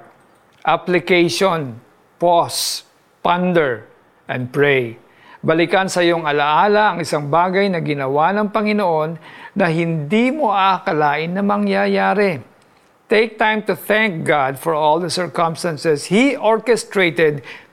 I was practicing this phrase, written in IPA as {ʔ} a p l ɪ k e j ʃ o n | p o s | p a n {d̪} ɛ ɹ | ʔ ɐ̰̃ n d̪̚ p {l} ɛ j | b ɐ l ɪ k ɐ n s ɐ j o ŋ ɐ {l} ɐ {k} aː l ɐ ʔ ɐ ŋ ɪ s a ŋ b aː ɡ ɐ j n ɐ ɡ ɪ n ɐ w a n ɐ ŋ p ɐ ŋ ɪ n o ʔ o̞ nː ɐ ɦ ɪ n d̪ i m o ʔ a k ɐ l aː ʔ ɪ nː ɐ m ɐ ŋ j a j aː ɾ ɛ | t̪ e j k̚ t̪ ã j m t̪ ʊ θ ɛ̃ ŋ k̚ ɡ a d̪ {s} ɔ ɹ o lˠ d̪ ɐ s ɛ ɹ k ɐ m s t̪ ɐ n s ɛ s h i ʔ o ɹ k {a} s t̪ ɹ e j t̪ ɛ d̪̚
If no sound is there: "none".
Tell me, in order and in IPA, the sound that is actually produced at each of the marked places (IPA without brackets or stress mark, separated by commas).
ʔ, d̪, ɹ, l, ʔ, f, ɛ